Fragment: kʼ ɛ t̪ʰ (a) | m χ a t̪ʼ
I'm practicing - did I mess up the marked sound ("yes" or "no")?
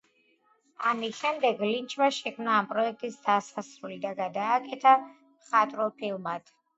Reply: no